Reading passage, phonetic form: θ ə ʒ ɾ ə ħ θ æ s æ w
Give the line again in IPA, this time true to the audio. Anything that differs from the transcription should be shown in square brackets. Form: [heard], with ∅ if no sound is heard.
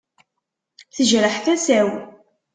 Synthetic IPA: θ ə ʒ ɾ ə ħ θ æ s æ w